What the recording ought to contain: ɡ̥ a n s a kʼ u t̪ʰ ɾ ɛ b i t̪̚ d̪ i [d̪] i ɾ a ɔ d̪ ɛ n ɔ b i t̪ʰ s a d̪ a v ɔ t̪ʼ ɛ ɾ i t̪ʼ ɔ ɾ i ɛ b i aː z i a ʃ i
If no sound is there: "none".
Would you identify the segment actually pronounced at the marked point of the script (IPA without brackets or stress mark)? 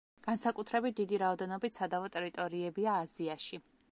d̪